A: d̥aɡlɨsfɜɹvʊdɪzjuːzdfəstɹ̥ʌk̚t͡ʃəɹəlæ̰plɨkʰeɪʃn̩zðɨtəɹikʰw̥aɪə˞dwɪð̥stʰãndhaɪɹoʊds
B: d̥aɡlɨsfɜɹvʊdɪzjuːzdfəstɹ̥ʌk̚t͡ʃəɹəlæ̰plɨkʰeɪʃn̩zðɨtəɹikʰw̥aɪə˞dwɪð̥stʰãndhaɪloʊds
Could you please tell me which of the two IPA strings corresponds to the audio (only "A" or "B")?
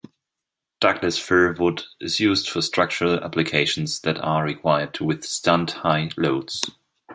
B